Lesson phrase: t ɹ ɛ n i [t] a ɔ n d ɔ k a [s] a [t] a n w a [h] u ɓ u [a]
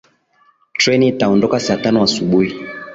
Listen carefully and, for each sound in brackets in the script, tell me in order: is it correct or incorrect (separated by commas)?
correct, correct, correct, incorrect, incorrect